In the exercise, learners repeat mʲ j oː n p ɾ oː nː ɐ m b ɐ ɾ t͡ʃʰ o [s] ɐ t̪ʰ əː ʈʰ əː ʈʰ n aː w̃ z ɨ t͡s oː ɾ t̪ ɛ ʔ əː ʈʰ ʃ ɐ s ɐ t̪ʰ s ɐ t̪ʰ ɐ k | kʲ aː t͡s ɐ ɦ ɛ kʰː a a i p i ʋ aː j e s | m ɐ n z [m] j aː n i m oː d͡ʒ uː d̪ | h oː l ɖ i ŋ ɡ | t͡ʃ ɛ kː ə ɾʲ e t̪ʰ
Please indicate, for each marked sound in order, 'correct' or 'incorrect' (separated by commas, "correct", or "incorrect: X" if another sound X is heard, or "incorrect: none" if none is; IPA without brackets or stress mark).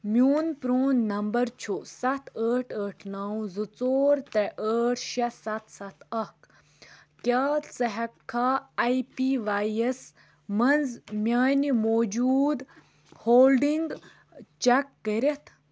correct, correct